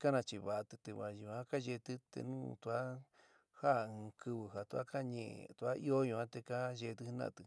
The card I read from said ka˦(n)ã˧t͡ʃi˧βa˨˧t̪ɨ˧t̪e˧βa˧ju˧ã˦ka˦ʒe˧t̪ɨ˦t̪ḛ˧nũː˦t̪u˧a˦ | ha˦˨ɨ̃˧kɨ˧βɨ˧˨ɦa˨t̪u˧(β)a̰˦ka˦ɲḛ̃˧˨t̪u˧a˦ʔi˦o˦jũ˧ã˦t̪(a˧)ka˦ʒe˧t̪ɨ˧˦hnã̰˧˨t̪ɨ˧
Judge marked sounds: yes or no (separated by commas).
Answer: yes, no, no